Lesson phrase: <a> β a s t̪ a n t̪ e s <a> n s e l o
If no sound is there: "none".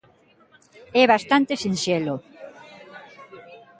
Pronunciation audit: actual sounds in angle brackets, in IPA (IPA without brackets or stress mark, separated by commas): ɛ, i